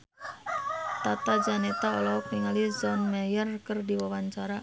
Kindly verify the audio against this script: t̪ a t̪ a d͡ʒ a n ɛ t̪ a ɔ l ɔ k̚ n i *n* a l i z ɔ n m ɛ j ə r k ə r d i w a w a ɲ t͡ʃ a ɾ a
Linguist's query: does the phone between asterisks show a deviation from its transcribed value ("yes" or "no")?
yes